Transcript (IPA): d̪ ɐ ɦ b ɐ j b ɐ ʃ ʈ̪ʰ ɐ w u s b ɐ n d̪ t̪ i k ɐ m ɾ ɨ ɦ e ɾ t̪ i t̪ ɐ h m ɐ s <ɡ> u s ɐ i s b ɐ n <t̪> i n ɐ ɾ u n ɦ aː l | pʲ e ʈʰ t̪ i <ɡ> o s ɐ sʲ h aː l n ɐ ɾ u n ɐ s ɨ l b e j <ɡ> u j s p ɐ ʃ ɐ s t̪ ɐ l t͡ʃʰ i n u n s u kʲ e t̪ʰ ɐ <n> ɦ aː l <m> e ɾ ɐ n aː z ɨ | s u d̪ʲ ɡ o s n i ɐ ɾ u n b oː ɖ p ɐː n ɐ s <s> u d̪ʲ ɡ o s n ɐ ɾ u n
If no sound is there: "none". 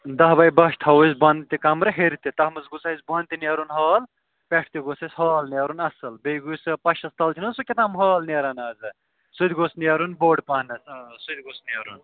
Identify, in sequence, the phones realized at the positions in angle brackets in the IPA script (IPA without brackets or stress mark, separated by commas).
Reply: ɡ, t̪, ɡ, ɡ, m, n, s